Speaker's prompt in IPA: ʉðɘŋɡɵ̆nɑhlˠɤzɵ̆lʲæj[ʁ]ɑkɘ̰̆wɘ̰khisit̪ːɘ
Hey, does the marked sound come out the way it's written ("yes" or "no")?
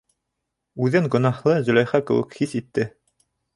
no